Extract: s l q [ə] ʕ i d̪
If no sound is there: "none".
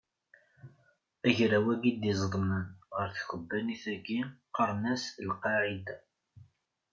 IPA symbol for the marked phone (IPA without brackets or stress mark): ɑ